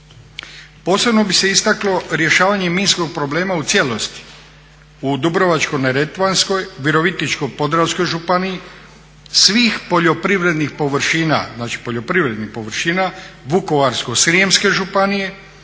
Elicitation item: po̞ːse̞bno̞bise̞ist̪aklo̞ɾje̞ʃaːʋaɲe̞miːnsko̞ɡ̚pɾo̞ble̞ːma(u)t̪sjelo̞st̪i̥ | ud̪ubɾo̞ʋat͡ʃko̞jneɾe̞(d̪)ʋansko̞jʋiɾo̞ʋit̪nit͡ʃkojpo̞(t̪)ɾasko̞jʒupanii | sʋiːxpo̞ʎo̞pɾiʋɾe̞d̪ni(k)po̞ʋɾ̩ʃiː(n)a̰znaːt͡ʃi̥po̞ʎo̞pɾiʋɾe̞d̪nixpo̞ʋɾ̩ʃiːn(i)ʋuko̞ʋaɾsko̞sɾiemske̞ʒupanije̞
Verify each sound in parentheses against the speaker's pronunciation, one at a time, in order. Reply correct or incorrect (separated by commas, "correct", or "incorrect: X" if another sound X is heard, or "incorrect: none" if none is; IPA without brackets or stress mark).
correct, incorrect: t̪, incorrect: d̪, incorrect: x, correct, incorrect: a